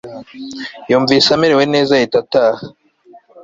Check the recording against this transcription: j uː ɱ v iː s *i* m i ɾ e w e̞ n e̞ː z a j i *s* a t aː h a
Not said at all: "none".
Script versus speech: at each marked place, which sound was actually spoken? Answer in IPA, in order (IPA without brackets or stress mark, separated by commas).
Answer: a, t